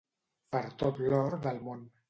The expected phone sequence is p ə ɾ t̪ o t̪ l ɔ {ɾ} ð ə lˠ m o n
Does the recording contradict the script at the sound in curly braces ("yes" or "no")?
no